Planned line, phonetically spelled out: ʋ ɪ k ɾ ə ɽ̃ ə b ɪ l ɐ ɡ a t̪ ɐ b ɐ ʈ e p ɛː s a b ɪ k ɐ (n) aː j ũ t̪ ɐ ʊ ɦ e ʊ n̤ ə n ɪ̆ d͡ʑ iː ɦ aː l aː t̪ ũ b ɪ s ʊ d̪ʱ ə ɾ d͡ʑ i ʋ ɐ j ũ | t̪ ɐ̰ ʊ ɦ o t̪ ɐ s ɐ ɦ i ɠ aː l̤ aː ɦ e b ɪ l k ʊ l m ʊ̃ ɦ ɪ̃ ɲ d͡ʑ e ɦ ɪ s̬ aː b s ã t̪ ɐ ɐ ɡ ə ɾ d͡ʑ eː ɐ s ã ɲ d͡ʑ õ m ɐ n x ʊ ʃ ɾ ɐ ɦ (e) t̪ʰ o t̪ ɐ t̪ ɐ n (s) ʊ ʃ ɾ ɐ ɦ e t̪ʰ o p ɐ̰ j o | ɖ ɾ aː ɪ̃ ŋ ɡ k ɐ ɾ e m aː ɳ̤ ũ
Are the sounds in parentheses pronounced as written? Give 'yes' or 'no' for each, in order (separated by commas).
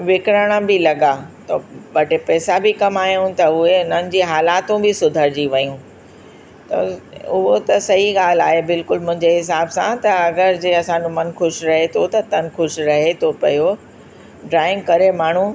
no, yes, no